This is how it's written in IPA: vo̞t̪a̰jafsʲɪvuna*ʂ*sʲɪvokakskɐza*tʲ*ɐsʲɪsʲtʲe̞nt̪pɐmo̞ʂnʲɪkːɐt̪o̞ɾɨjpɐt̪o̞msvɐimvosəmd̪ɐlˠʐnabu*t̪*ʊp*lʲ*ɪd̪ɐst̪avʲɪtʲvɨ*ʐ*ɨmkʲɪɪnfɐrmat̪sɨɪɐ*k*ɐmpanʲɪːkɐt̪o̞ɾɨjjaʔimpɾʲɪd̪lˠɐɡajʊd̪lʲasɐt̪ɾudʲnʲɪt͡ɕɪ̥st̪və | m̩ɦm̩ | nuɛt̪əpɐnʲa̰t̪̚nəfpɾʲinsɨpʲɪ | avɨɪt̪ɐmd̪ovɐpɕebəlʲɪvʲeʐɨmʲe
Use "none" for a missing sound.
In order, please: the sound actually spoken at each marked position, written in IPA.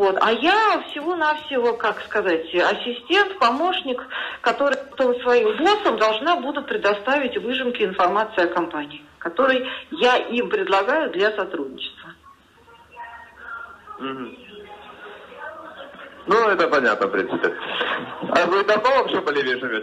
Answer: f, tʲ, d̪, ɾʲ, ʐ, k

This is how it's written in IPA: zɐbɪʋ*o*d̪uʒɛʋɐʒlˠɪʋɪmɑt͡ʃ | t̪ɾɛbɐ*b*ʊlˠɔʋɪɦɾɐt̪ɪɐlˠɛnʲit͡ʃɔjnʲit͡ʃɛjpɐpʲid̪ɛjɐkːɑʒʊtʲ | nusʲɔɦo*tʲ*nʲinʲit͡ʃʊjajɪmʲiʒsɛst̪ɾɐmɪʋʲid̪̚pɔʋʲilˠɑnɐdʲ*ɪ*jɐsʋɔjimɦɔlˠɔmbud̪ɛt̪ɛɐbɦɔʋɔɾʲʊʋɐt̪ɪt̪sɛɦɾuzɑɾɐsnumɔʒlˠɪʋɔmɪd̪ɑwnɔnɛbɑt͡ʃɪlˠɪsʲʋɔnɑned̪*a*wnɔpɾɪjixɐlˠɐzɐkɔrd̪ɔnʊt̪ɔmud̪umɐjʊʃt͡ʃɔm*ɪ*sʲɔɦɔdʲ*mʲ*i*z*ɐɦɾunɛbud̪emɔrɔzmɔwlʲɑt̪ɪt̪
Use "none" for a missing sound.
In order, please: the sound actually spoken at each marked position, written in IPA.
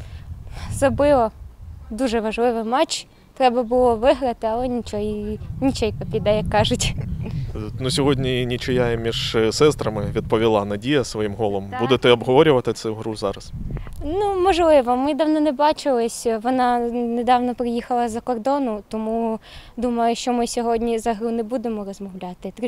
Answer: ɔ, b, dʲ, i, ɑ, ɪ, nʲ, z

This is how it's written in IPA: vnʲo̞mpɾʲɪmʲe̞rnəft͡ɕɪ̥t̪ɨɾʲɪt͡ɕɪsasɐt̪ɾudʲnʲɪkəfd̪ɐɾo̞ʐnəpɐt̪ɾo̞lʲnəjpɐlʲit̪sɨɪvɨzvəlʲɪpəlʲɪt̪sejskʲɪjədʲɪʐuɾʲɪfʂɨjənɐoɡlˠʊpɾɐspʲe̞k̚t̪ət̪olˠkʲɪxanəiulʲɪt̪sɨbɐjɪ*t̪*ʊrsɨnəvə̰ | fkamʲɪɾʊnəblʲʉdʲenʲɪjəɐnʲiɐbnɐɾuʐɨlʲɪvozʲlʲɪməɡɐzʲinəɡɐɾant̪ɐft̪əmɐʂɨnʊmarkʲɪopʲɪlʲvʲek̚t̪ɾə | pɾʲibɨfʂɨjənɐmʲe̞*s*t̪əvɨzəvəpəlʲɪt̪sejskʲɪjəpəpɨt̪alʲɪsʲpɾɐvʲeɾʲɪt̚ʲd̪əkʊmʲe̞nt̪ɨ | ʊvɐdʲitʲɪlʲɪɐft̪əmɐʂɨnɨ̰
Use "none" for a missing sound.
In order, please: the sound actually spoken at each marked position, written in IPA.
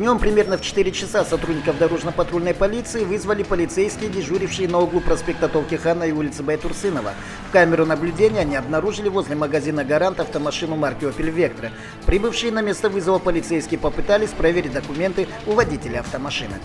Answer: t̪, s

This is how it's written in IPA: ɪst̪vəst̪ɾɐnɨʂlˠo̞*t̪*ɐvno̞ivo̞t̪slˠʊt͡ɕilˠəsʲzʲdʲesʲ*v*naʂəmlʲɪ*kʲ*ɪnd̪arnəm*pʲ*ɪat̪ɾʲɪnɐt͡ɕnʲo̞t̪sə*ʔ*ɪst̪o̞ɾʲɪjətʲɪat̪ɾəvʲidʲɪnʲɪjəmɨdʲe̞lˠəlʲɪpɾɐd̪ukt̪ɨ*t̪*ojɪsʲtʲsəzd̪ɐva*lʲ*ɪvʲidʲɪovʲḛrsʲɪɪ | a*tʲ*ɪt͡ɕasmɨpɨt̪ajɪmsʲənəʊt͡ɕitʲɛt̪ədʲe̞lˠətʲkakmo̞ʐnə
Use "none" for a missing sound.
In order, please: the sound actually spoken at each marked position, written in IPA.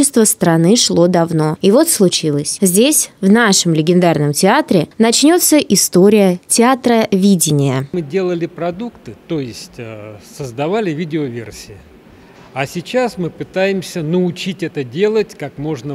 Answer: d̪, v, ɡʲ, tʲ, ʔ, t̪, lʲ, sʲ

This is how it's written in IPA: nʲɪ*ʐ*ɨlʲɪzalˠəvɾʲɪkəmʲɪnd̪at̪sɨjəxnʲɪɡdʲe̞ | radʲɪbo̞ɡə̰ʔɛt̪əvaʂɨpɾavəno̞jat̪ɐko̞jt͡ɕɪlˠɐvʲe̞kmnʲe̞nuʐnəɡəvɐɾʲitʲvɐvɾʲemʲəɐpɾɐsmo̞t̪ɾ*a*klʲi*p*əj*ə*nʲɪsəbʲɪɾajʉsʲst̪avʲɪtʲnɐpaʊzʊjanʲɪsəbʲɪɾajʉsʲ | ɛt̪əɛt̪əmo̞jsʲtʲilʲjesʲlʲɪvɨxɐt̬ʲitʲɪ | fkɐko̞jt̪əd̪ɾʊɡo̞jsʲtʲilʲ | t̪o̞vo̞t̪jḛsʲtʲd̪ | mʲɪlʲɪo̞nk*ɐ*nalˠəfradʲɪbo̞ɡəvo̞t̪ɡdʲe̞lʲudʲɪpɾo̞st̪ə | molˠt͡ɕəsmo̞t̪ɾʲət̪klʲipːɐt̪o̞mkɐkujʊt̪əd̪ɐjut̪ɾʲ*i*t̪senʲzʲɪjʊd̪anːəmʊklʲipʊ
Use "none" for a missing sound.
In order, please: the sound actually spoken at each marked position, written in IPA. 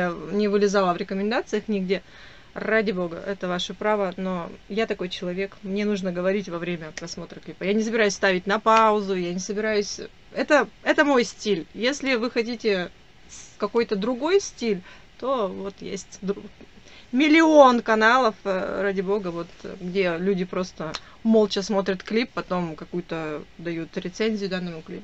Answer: v, ə, p, a, ɐ, ɪ

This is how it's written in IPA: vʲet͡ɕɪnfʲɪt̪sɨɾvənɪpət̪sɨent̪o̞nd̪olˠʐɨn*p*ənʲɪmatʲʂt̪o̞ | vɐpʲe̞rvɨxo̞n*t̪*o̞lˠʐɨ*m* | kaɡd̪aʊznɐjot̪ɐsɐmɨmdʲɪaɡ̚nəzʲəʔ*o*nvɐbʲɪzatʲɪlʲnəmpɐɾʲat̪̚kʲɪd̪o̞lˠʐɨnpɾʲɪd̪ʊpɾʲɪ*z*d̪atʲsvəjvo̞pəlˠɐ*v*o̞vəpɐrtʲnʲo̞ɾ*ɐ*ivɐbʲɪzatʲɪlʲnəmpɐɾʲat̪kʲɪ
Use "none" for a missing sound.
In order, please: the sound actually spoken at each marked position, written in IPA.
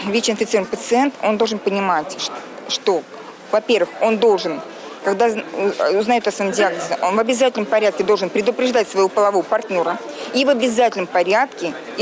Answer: p, d̪, n, o, ʐ, v, ə

